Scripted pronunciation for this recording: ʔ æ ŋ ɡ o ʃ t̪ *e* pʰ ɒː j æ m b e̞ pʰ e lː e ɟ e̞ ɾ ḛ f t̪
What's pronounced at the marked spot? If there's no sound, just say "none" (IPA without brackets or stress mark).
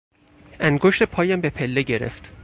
e